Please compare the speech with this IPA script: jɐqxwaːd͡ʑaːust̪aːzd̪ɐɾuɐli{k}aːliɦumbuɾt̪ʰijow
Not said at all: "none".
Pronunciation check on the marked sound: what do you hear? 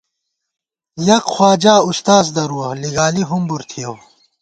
ɡ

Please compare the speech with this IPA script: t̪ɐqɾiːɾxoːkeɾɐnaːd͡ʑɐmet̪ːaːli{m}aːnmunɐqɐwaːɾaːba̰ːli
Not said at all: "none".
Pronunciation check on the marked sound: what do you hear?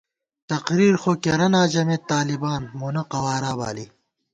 b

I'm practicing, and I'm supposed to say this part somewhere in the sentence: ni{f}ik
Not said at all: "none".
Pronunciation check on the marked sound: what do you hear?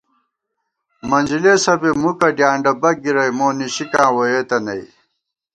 ɕ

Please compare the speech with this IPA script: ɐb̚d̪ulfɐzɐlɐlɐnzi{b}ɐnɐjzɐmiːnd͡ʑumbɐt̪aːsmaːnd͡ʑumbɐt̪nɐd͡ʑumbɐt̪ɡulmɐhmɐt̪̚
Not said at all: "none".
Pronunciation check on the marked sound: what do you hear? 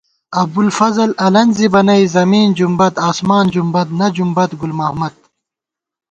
b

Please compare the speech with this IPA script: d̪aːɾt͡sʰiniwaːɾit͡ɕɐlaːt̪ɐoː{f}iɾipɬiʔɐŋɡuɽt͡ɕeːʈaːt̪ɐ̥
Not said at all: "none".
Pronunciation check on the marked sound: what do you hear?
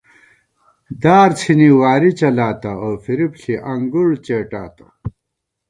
f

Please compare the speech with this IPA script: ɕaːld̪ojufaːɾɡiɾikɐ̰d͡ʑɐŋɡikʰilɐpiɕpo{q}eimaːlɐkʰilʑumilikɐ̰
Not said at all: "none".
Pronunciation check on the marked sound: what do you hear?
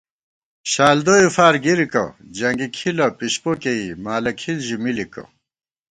k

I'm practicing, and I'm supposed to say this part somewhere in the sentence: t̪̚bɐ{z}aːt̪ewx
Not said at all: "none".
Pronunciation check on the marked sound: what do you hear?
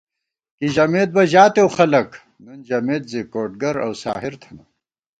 ʑ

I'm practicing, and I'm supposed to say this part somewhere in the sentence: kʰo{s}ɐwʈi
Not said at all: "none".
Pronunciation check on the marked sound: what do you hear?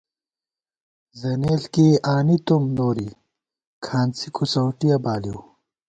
s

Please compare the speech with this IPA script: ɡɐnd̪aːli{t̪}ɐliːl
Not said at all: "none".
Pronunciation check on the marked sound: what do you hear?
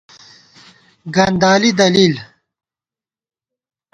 d̪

